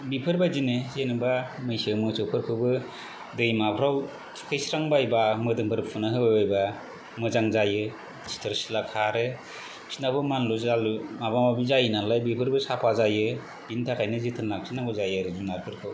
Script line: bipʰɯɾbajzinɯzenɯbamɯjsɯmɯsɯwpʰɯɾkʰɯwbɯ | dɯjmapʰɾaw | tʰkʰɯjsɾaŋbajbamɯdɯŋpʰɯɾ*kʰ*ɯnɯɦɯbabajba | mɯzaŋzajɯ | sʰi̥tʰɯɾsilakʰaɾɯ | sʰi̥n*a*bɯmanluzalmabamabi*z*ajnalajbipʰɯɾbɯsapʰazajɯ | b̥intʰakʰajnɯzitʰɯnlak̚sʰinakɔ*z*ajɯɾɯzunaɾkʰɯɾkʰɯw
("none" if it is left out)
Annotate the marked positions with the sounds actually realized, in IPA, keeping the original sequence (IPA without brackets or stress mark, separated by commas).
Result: pʰ, a, z, z